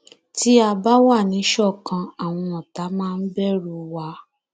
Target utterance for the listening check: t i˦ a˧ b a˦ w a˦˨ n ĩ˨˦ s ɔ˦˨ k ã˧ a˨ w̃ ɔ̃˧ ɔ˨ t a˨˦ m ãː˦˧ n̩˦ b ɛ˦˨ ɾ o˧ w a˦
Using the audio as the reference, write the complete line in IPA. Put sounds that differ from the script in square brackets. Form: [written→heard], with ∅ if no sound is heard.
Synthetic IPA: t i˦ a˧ b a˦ w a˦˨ n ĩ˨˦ [s→ʃ] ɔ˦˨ k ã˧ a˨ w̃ ɔ̃˧ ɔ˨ t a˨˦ m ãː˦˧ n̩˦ b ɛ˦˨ ɾ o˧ w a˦